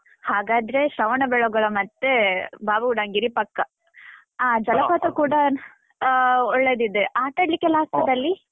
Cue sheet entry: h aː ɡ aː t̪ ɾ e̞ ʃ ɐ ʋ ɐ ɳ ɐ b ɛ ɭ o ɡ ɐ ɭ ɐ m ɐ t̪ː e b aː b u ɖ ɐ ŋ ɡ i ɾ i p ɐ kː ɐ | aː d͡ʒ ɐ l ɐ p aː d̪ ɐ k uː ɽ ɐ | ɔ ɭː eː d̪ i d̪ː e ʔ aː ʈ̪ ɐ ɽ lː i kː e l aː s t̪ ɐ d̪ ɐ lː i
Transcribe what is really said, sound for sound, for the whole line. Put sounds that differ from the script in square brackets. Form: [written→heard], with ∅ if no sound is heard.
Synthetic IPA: h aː ɡ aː [t̪→d̪] ɾ e̞ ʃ ɐ ʋ ɐ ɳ ɐ b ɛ ɭ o ɡ ɐ ɭ ɐ m ɐ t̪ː e b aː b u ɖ ɐ ŋ ɡ i ɾ i p ɐ kː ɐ | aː d͡ʒ ɐ l ɐ p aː [d̪→t̪] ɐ k uː ɽ ɐ | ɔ ɭː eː d̪ i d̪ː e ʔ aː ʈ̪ ɐ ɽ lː i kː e l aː s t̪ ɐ d̪ ɐ lː i